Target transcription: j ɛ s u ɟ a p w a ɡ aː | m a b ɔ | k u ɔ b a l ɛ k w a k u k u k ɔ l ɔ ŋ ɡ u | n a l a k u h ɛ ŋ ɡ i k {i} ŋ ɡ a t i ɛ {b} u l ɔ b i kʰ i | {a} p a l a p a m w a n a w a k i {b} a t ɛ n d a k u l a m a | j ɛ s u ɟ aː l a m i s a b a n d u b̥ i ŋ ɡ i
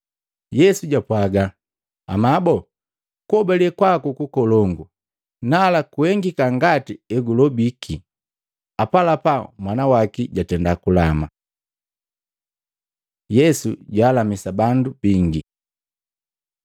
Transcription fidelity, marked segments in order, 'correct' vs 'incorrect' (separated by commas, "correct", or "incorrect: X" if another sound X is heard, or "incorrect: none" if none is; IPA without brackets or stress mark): incorrect: a, incorrect: ɡ, correct, incorrect: ɟ